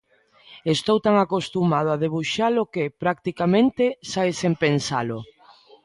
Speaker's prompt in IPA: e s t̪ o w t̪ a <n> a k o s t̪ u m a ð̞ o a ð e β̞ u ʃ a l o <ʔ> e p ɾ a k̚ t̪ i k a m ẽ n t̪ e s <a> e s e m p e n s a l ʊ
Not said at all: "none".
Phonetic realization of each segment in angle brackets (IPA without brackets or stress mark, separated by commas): ŋ, k, a